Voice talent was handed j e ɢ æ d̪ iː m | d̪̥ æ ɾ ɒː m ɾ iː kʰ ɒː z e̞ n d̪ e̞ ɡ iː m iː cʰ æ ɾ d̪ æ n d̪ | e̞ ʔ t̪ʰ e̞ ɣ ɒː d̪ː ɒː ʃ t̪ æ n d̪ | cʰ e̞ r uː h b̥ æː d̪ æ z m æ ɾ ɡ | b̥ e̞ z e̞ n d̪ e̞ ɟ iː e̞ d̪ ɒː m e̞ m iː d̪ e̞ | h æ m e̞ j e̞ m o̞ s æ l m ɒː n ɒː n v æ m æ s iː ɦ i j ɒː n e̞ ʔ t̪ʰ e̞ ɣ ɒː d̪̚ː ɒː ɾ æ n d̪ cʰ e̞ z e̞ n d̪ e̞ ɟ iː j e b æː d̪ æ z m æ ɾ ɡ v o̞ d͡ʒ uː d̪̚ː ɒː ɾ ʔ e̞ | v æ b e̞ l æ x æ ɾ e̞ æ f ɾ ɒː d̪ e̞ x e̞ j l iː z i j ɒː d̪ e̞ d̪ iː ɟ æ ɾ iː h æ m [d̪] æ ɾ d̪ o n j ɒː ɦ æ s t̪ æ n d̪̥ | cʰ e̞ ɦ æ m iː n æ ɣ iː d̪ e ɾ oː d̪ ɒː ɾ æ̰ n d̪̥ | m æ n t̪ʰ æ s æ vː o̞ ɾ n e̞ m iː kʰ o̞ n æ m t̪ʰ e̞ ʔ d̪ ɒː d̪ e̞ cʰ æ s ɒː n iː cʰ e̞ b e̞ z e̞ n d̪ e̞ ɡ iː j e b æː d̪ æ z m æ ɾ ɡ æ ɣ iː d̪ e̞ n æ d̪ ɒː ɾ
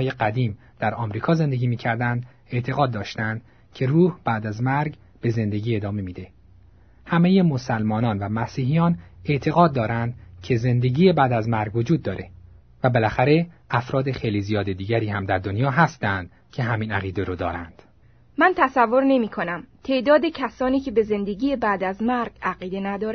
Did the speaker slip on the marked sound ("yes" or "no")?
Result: no